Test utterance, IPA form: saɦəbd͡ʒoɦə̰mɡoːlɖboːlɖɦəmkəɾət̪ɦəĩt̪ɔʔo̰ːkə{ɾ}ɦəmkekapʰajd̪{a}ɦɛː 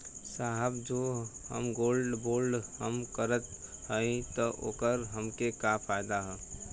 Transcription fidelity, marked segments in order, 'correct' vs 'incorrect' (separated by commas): correct, correct